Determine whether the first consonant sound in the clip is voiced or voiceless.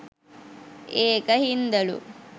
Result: voiceless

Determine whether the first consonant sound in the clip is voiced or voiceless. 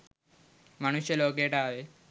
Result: voiced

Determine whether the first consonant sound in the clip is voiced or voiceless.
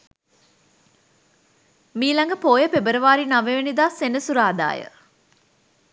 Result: voiced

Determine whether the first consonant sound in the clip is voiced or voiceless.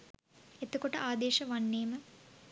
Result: voiceless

